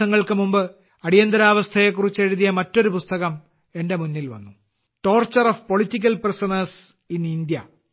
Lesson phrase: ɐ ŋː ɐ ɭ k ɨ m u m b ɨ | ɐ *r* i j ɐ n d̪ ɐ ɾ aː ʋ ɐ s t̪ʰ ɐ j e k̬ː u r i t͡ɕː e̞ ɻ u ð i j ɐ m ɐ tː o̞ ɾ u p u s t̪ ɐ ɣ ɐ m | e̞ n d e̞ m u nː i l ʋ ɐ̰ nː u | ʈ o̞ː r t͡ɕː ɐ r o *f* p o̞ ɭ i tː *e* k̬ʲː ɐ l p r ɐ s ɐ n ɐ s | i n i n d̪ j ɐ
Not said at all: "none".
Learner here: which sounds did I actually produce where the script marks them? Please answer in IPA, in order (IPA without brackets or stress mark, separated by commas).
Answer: ɽ, f, i